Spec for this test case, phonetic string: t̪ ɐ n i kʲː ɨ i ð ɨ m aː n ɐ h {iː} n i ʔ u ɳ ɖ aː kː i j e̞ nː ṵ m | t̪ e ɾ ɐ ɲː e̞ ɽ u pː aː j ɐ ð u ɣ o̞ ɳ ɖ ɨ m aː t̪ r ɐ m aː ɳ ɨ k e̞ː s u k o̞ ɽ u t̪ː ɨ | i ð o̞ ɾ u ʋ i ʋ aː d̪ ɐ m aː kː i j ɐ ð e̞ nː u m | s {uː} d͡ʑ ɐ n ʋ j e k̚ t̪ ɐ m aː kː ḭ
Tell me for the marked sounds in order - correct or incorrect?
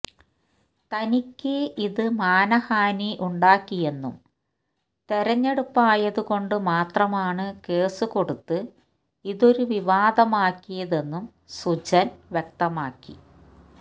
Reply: incorrect: aː, incorrect: u

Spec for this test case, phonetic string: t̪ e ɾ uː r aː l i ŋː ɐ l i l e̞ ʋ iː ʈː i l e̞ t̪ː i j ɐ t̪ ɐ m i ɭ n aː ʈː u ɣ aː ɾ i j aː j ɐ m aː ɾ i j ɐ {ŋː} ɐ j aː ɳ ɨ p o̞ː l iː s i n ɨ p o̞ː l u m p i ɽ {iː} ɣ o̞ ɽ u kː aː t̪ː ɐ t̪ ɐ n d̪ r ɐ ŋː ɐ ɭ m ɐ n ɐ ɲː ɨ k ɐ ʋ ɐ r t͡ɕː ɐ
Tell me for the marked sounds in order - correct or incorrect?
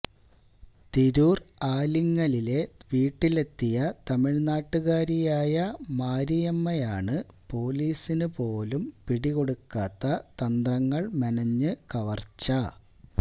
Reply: incorrect: mː, incorrect: i

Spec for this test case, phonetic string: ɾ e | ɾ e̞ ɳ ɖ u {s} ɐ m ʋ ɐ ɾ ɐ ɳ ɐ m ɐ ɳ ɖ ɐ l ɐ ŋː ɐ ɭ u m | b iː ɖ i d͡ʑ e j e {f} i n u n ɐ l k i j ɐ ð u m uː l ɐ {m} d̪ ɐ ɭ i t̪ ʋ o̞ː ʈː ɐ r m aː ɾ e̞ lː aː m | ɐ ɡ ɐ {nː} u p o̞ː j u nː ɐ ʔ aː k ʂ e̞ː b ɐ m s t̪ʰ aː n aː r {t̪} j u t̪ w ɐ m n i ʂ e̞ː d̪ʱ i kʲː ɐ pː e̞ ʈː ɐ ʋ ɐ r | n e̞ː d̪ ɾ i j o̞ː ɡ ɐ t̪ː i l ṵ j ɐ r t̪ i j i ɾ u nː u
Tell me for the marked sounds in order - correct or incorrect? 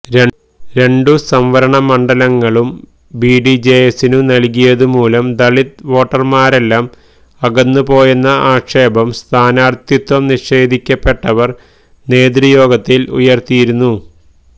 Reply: correct, incorrect: s, correct, correct, correct

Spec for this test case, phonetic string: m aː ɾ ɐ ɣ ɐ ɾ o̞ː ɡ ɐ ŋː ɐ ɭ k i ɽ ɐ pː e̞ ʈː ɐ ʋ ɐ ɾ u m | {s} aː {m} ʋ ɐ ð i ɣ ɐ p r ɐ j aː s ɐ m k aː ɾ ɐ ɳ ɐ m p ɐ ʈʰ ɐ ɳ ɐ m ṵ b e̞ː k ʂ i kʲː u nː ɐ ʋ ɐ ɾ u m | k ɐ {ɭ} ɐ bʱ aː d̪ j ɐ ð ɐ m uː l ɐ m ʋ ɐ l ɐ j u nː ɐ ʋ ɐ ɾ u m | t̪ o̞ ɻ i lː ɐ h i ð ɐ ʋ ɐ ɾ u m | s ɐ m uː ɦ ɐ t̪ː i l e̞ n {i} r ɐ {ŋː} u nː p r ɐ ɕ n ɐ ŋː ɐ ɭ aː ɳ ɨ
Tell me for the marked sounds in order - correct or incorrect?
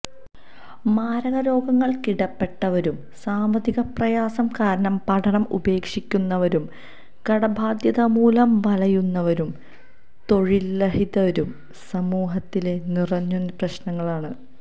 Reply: correct, correct, incorrect: ɽ, correct, incorrect: ɲː

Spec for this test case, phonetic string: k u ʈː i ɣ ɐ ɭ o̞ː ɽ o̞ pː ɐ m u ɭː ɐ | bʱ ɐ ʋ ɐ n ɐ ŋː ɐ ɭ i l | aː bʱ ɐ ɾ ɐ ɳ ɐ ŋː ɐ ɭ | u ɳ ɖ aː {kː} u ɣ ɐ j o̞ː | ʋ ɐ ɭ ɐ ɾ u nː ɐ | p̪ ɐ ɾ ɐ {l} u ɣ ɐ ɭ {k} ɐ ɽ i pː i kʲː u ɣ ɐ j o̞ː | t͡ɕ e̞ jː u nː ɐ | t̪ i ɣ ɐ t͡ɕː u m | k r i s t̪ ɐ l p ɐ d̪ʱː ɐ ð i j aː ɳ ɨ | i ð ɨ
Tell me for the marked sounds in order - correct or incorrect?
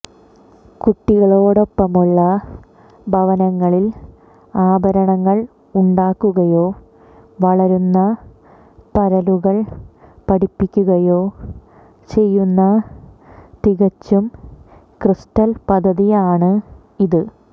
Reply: correct, correct, incorrect: p

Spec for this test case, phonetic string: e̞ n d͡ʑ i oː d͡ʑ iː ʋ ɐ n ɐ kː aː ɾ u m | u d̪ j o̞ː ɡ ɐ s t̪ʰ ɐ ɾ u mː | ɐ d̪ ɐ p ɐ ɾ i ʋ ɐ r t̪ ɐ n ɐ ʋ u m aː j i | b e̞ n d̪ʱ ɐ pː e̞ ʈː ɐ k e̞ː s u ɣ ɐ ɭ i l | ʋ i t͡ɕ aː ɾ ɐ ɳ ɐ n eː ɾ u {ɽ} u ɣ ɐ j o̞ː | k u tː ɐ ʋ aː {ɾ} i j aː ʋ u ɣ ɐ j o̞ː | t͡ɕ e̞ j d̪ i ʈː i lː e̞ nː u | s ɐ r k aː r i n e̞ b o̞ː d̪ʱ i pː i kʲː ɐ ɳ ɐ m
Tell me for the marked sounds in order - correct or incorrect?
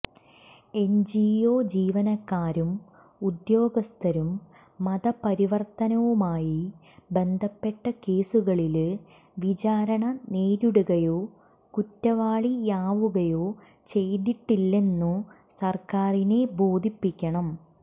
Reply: correct, incorrect: ɭ

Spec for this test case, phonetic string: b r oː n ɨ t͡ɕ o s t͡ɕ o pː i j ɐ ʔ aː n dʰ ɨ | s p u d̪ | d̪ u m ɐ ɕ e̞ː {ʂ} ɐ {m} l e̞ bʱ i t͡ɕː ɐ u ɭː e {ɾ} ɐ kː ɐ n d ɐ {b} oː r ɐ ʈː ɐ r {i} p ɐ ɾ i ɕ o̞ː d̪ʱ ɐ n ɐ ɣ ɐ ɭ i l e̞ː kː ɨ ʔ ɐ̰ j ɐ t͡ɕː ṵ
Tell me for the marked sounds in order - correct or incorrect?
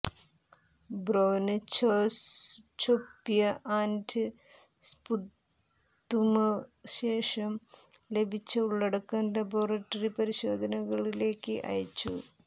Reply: correct, correct, incorrect: ɽ, correct, correct

